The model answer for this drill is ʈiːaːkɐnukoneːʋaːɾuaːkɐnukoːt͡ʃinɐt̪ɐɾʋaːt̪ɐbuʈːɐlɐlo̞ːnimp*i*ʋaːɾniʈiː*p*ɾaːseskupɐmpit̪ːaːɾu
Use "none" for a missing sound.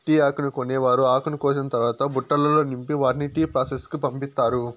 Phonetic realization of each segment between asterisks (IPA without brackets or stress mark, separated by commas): i, p